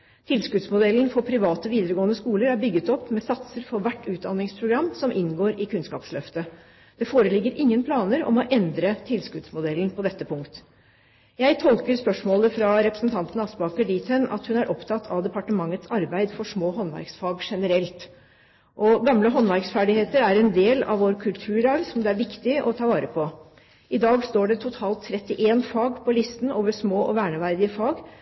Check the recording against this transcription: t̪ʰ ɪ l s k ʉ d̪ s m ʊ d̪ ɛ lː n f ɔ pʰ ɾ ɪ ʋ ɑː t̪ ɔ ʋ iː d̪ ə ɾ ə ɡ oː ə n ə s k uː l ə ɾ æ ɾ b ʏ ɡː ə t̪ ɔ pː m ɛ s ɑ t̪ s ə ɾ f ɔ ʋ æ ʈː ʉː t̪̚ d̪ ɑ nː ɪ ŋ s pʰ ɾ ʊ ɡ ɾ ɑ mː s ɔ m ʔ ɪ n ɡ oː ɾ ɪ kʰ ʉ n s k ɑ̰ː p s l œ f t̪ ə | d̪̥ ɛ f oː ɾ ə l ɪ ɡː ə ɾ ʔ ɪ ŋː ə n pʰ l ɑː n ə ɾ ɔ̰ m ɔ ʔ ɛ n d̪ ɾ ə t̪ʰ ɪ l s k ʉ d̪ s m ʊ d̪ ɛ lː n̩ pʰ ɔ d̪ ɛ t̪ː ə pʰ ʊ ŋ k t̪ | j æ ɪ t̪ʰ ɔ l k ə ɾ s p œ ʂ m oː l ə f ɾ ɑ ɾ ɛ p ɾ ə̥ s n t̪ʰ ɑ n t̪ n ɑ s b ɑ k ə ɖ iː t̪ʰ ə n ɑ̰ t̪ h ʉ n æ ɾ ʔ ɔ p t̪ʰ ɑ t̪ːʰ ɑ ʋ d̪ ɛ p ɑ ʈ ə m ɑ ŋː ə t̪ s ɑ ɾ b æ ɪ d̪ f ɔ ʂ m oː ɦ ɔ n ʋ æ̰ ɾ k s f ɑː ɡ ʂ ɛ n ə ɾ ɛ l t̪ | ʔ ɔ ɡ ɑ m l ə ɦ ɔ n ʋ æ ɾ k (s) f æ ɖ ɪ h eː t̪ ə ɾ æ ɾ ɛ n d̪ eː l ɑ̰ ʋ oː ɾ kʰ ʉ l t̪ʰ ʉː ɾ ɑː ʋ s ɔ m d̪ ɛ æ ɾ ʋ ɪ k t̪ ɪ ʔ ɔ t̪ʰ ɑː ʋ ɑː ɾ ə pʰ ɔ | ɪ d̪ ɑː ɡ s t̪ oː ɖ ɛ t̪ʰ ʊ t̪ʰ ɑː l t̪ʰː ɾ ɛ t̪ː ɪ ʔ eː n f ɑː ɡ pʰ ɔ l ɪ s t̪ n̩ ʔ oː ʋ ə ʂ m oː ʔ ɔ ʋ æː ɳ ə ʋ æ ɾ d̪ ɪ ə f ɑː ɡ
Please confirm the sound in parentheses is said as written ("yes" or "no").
yes